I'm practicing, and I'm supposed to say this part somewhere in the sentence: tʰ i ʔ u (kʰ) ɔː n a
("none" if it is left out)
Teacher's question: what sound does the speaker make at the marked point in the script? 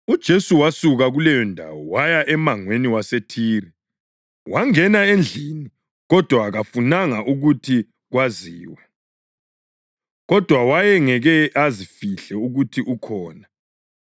kʰ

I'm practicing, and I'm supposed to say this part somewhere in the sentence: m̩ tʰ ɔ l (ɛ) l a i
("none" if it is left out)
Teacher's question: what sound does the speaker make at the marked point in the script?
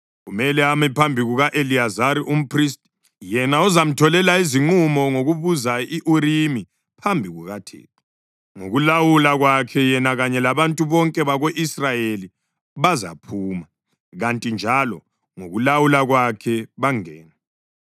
ɛ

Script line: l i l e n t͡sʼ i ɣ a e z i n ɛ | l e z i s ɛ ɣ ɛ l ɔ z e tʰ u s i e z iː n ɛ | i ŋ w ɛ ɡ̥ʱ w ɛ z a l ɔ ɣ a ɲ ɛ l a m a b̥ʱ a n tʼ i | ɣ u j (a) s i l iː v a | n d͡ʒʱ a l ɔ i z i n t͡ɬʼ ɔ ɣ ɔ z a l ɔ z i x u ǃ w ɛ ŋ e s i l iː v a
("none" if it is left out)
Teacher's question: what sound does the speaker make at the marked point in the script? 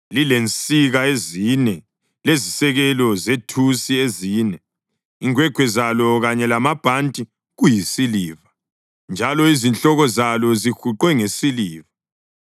i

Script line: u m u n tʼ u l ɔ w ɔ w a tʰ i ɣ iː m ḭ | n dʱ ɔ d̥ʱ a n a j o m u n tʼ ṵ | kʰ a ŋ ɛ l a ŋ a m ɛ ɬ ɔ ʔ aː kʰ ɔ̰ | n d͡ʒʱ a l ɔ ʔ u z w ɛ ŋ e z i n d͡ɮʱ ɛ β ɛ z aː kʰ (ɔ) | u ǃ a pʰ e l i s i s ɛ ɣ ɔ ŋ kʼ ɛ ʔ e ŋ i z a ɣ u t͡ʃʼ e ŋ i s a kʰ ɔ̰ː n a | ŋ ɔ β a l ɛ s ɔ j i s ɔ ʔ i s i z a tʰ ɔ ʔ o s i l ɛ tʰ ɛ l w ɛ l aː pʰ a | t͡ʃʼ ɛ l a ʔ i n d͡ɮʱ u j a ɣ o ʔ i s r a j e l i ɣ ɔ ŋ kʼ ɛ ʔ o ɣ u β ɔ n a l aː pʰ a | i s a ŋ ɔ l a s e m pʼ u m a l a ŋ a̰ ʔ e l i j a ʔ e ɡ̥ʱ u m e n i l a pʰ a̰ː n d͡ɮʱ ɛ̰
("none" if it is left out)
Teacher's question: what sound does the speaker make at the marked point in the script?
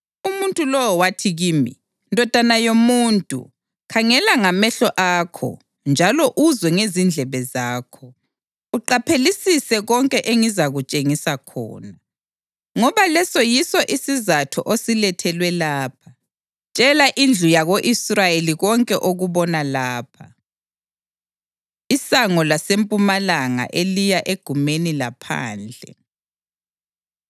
ɔ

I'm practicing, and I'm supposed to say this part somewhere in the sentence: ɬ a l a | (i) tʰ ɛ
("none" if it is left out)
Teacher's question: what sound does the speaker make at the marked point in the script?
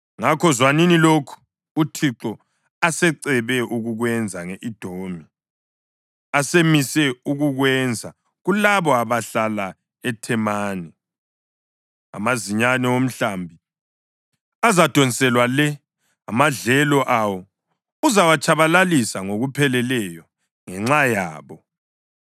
ɛ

